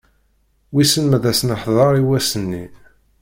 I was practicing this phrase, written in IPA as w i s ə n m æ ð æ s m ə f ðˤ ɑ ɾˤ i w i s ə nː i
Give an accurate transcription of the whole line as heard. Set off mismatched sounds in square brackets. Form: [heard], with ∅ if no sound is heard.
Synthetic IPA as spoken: w i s ə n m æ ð æ s [n] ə [ħ] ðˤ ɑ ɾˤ i w [æ] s ə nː i

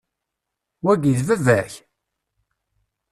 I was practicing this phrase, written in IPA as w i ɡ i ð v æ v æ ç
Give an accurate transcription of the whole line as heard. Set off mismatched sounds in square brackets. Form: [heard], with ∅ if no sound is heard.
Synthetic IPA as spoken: w [æ] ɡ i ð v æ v æ ç

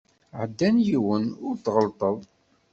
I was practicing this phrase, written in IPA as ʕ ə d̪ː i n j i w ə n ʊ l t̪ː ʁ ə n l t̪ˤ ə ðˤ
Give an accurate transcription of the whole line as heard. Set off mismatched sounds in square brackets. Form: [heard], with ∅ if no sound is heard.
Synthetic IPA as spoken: ʕ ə d̪ː [æ] n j i w ə n ʊ [ɾ] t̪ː ʁ ə [∅] l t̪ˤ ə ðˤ

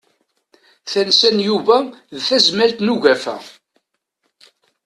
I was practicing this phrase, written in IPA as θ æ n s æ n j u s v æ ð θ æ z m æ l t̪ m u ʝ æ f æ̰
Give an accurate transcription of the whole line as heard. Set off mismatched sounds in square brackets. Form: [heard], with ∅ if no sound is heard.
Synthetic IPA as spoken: θ æ n s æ n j u [∅] v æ ð θ æ z m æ l t̪ [n] u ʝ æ f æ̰

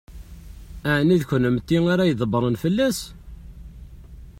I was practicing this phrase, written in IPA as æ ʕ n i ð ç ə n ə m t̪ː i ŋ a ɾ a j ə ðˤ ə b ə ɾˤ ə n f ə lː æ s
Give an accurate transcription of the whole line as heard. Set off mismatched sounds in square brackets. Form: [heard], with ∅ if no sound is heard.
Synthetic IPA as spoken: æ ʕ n i ð ç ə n ə m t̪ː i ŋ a ɾ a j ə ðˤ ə b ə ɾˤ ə n f ə lː æ s

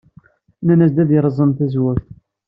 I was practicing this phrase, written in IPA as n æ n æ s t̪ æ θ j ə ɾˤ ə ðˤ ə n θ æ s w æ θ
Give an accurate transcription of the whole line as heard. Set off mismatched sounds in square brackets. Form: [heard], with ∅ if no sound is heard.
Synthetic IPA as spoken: n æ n æ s [d̪] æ [ð] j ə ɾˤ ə [zˤ] ə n θ æ [z] w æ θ

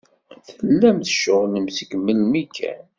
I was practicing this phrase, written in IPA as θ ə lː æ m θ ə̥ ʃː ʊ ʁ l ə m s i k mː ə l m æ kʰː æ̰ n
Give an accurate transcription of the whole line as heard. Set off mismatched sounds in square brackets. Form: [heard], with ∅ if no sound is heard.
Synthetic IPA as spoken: θ ə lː æ m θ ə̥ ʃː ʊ ʁ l ə m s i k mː ə l m [i] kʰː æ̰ n

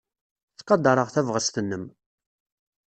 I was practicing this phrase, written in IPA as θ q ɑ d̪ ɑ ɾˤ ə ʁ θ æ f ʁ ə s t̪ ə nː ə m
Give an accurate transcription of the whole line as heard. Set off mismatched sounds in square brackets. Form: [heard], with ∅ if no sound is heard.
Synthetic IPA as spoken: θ q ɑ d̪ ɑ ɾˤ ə ʁ θ æ [v] ʁ ə s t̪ ə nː ə m

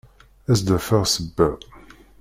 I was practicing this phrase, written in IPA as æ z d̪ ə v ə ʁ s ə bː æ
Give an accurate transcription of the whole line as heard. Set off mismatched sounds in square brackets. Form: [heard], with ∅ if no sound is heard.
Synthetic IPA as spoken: æ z d̪ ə [f] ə ʁ s ə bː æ

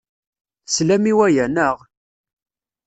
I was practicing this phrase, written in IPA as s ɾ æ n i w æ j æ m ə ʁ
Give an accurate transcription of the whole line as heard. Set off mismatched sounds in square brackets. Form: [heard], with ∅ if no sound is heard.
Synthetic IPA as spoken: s [l] æ [m] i w æ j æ [n] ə ʁ

